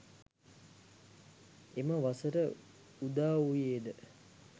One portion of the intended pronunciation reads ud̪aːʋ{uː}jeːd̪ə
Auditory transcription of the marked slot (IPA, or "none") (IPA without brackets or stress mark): u